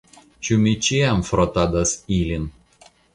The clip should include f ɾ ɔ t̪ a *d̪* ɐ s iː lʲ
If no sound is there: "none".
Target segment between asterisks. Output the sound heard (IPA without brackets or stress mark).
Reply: d̪